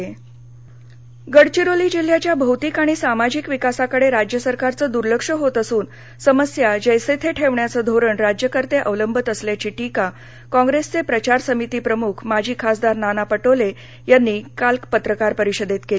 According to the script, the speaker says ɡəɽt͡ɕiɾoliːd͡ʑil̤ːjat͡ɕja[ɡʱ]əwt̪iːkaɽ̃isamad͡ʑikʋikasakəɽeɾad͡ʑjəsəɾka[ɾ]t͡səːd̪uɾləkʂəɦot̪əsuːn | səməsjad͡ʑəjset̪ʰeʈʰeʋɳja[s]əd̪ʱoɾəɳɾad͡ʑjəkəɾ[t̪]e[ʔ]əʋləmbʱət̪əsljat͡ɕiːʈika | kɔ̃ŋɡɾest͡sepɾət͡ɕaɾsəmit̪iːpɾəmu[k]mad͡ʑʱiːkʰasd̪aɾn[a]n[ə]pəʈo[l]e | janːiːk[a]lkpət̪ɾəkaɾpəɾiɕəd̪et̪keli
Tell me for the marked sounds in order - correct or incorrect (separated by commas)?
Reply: incorrect, correct, incorrect, correct, correct, incorrect, correct, incorrect, correct, correct